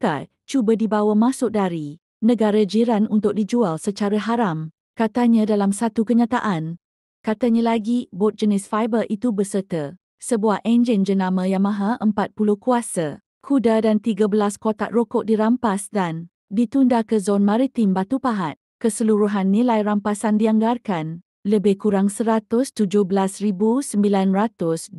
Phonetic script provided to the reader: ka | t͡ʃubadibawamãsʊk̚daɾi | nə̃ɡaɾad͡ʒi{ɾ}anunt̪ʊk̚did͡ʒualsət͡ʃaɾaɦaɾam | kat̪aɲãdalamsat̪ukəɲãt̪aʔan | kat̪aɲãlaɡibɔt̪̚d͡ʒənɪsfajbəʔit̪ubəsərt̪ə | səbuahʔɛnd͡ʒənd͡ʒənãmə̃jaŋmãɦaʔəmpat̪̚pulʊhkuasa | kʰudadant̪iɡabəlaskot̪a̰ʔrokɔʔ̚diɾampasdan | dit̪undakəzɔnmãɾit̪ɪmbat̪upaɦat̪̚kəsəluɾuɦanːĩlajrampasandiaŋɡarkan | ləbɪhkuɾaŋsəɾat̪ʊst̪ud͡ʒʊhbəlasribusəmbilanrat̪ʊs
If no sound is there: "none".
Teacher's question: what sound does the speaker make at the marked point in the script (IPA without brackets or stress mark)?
ɾ